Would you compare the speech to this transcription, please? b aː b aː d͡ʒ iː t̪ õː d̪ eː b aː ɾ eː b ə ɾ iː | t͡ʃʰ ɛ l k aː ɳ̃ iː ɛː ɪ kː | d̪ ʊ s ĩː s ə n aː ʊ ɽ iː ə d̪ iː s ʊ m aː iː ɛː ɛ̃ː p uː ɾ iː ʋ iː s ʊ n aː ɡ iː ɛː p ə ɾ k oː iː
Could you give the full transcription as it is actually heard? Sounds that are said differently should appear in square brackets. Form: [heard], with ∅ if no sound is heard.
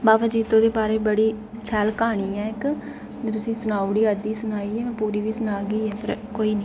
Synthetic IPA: b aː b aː d͡ʒ iː t̪ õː d̪ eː b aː ɾ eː b ə [ɽ] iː | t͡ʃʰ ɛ l k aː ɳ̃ iː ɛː ɪ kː | [t̪] ʊ s ĩː s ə n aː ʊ ɽ iː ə d̪ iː s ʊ [n] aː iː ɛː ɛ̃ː p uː ɾ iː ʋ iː s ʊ n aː ɡ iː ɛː p ə ɾ k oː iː